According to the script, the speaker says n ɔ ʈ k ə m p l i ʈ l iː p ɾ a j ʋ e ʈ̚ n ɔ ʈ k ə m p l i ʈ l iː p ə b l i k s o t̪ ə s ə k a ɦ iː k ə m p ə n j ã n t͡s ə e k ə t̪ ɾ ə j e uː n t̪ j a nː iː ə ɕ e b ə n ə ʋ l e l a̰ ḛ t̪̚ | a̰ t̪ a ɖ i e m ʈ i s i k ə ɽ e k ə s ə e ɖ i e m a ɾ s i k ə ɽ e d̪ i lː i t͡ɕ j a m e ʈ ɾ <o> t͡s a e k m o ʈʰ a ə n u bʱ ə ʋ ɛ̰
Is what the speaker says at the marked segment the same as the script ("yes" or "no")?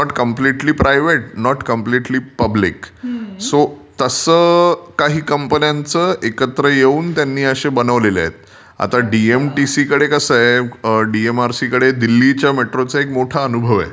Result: yes